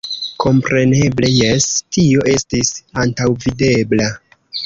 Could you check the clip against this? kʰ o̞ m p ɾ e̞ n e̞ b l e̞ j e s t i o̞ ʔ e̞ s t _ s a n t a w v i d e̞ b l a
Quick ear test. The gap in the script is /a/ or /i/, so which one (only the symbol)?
i